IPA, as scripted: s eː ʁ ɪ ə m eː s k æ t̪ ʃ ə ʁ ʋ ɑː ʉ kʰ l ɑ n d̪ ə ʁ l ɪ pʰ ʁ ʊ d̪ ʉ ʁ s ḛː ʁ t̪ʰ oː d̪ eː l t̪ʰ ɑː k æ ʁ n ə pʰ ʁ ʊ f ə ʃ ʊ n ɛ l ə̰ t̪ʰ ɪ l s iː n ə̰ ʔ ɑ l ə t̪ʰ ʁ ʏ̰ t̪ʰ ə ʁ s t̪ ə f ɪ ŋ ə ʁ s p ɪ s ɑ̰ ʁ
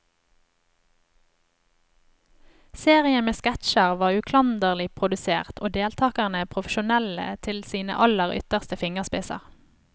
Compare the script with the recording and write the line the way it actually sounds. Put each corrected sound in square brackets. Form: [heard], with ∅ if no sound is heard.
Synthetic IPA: s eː ʁ ɪ ə m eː s k æ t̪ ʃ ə ʁ ʋ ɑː ʉ kʰ l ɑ n d̪ ə ʁ l ɪ pʰ ʁ ʊ d̪ ʉ [∅] s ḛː ʁ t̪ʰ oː d̪ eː l t̪ʰ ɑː k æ ʁ n ə pʰ ʁ ʊ f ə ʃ ʊ n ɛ l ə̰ t̪ʰ ɪ l s iː n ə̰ ʔ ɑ l ə [∅] ʁ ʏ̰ [t̪] ə ʁ s t̪ ə f ɪ ŋ ə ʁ s p ɪ s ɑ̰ ʁ